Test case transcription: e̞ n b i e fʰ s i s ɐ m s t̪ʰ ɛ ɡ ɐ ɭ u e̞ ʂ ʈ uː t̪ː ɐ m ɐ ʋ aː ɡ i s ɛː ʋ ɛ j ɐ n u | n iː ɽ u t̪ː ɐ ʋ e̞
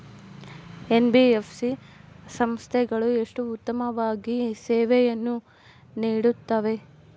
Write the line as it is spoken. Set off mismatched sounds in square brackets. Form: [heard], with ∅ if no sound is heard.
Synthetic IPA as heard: e̞ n b i e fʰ s i s ɐ m s t̪ʰ ɛ ɡ ɐ ɭ u e̞ ʂ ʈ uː t̪ː ɐ m ɐ ʋ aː ɡ i s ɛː ʋ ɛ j ɐ [nː] u | n iː ɽ u t̪ː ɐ ʋ e̞